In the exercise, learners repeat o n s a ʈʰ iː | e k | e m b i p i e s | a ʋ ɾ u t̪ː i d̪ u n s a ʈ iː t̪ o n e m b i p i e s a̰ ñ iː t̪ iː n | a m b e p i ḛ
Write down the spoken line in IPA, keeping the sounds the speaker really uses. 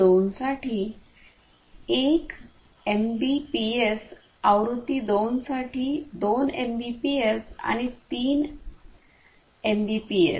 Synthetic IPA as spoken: o n s a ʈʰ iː | e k | e m b i p i e s | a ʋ ɾ u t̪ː i d̪ o n s a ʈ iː d̪ o n e m b i p i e s a̰ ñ i t̪ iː n | e m b i p i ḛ